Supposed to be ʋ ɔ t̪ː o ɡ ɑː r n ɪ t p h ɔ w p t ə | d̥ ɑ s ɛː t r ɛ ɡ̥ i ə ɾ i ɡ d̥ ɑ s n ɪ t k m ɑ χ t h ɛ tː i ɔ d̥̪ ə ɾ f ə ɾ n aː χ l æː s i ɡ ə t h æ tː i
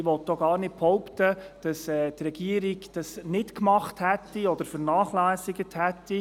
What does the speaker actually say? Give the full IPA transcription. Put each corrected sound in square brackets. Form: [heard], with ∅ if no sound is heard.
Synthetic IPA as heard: ʋ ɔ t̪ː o ɡ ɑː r n ɪ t p h ɔ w p t ə | d̥ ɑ s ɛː t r ɛ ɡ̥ i ə ɾ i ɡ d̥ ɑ s n ɪ t k m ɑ χ t h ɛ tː i ɔ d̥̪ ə ɾ f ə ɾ n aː χ l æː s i ɡ ə t h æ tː i